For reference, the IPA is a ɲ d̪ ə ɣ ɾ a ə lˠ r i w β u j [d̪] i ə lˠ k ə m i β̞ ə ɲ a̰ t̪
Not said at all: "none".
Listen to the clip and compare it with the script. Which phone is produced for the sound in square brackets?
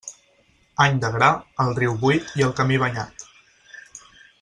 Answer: t̪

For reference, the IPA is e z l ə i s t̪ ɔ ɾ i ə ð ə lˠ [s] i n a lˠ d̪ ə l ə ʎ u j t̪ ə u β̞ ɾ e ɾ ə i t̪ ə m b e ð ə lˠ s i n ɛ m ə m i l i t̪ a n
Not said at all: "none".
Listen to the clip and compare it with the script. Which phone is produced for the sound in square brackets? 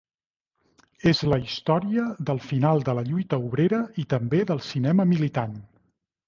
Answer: f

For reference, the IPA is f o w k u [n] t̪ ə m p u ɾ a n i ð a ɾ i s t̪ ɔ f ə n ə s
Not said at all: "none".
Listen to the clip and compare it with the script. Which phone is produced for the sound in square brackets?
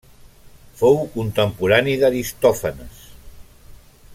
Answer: n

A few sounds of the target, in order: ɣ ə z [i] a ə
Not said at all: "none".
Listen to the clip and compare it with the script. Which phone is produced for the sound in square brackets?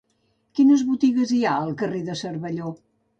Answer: i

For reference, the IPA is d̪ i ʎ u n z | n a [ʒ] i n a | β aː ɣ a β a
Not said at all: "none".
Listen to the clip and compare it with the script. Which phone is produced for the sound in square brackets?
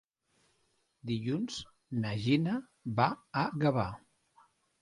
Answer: ʒ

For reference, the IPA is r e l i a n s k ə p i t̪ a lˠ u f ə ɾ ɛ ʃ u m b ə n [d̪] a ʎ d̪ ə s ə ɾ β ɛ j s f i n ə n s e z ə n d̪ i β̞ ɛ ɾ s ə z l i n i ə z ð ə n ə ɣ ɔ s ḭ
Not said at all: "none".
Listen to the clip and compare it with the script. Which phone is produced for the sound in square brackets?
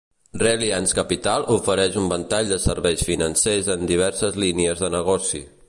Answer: t̪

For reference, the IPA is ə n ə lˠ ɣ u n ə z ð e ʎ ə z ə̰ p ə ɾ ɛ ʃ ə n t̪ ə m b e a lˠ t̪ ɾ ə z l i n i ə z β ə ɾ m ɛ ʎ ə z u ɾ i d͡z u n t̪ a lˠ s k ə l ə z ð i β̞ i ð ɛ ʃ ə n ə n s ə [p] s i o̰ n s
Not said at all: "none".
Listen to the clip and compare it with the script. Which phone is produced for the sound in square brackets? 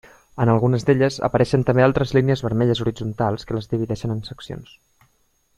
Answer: k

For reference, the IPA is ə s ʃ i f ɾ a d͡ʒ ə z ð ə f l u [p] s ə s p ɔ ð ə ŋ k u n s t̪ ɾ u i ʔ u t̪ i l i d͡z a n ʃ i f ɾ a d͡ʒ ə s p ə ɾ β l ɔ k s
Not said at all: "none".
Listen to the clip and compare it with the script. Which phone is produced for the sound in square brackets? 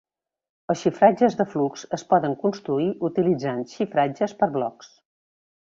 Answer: k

